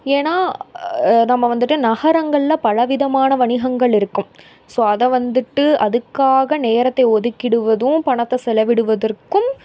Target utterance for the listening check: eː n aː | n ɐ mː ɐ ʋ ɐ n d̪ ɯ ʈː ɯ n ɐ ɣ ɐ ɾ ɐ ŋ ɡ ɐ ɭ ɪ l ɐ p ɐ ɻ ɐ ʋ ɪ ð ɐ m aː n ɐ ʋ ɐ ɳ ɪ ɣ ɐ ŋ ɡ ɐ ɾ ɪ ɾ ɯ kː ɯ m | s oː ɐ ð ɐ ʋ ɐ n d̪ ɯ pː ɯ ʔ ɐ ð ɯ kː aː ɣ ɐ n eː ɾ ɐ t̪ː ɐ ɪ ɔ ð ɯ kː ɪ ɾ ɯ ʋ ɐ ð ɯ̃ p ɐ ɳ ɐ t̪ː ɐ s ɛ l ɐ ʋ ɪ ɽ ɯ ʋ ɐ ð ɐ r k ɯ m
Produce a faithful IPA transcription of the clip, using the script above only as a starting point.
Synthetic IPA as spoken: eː n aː | n ɐ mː ɐ ʋ ɐ n d̪ ɯ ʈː ɯ n ɐ ɣ ɐ ɾ ɐ ŋ ɡ ɐ ɭ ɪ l ɐ p ɐ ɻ ɐ ʋ ɪ ð ɐ m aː n ɐ ʋ ɐ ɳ ɪ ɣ ɐ ŋ ɡ ɐ ɭ ɪ ɾ ɯ kː ɯ m | s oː ɐ ð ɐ ʋ ɐ n d̪ ɯ ʈː ɯ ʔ ɐ ð ɯ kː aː ɣ ɐ n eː ɾ ɐ t̪ː ɐ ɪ ɔ ð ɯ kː ɪ ɽ ɯ ʋ ɐ ð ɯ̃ p ɐ ɳ ɐ t̪ː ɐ s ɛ l ɐ ʋ ɪ ɽ ɯ ʋ ɐ ð ɐ r k ɯ m